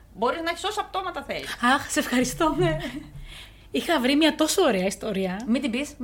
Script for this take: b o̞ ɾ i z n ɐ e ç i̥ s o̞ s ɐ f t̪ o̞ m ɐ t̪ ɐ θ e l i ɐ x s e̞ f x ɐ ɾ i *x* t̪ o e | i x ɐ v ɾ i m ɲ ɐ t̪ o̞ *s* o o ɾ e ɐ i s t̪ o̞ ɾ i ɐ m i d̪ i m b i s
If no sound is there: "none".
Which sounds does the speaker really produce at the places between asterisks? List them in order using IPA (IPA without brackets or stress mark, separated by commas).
s, s